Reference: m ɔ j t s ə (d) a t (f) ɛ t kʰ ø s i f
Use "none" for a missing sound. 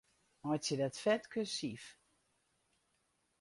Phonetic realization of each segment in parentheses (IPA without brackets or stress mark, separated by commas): d, f